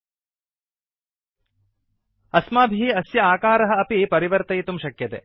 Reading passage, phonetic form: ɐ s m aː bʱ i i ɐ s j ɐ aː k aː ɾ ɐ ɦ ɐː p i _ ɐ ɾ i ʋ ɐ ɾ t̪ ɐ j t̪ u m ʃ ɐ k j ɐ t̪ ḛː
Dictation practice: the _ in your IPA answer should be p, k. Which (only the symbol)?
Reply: p